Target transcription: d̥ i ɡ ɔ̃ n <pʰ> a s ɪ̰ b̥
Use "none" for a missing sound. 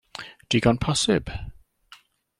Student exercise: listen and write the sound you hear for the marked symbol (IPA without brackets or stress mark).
pʰ